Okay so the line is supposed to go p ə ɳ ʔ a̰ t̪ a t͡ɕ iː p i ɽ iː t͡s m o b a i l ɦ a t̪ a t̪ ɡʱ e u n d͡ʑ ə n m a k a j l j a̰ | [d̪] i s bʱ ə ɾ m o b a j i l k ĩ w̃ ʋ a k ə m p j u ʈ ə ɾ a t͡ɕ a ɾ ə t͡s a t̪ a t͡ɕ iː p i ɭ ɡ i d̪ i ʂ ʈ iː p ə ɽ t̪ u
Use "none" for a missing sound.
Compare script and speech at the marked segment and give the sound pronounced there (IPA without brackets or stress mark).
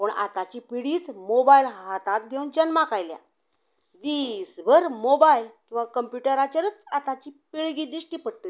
d̪